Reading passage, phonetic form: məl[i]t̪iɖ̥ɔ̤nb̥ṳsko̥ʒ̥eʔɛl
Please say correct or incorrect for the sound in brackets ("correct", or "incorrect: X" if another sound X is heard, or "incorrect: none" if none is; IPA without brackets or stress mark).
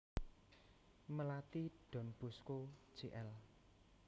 incorrect: a